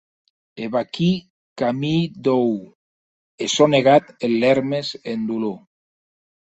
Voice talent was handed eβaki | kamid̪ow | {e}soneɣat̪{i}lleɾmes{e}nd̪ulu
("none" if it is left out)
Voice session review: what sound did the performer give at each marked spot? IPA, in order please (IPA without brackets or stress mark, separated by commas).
e, e, e